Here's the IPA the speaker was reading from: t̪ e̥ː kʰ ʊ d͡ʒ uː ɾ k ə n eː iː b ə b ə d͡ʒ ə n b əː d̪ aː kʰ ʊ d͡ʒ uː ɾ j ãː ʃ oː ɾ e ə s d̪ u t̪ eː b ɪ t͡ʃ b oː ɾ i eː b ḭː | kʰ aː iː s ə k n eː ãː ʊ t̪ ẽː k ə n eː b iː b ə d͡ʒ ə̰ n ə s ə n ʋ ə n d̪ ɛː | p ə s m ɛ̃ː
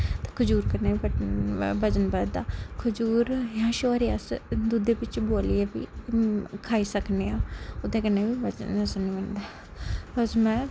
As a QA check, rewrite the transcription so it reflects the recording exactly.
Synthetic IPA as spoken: t̪ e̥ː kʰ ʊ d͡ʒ uː ɾ k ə n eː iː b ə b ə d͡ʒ ə n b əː d̪ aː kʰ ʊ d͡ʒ uː ɾ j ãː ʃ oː ɾ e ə s d̪ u d̪ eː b ɪ t͡ʃ b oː l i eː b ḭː | kʰ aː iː s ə k n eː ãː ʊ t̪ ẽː k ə n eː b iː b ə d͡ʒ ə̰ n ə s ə n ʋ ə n d̪ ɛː | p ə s m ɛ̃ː